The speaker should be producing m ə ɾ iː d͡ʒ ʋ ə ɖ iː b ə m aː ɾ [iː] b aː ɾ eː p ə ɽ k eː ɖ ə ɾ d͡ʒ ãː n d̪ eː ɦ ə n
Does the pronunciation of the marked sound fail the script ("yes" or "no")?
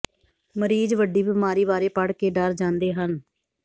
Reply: no